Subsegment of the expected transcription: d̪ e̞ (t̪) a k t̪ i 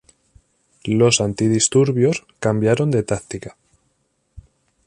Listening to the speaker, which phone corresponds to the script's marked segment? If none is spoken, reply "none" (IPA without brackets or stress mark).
t̪